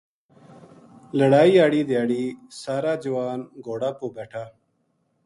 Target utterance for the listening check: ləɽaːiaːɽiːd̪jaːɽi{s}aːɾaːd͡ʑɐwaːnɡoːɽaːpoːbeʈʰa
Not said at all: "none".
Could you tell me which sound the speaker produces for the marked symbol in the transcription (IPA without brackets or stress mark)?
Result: s